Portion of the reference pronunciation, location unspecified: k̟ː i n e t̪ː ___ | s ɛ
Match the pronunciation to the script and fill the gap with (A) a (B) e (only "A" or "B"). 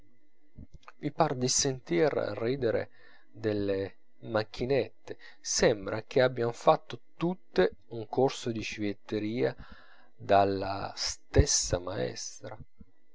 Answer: B